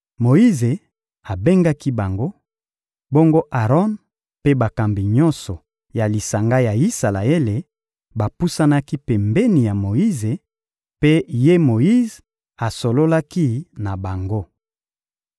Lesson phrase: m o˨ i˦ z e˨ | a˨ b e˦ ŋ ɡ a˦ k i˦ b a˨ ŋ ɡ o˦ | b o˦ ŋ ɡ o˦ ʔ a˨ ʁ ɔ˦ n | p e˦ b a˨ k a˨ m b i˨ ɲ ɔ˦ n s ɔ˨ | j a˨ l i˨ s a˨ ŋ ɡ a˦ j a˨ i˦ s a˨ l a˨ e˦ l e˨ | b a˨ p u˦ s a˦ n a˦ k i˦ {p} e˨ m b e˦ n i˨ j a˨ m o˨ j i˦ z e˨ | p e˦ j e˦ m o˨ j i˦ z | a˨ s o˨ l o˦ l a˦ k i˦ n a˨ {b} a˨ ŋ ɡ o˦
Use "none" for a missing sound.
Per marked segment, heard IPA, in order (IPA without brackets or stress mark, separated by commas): p, b